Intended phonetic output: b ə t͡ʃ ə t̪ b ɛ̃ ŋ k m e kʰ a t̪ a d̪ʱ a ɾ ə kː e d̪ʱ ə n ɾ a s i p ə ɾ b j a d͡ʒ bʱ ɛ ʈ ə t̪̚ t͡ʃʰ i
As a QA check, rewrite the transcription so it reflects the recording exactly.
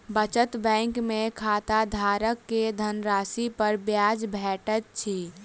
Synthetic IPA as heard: b ə t͡ʃ ə t̪ b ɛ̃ ŋ k m e kʰ a t̪ a d̪ʱ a ɾ ə kː e d̪ʱ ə n ɾ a s i p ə ɾ b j a d͡ʒ bʱ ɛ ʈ ə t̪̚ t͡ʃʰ i